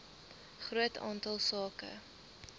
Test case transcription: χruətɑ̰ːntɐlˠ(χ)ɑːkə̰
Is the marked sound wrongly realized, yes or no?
yes